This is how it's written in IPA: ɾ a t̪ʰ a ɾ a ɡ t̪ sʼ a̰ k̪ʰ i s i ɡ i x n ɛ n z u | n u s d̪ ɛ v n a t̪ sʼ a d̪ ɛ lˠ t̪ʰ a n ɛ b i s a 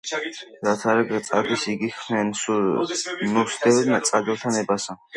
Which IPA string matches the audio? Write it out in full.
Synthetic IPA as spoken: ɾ a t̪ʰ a ɾ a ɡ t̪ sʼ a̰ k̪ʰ i s i ɡ i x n ɛ n s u | n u s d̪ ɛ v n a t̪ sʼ a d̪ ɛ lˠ t̪ʰ a n ɛ b a s a